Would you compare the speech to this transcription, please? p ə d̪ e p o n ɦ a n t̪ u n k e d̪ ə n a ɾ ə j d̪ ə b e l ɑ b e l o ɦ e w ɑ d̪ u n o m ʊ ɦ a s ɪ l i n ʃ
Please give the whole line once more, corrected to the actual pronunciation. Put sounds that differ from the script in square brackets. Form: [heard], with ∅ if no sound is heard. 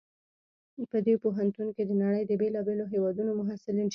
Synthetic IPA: p ə d̪ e p o [∅] ɦ a n t̪ u n k e d̪ ə n a [ɽ] ə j d̪ ə b e l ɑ b e l o ɦ e w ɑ d̪ u n o m ʊ ɦ a s ɪ l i n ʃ